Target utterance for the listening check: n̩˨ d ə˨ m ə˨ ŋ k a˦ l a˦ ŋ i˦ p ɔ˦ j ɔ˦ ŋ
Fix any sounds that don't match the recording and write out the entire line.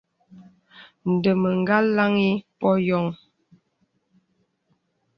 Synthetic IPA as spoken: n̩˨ d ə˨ m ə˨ ŋ ɡ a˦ l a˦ ŋ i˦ p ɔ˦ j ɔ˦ ŋ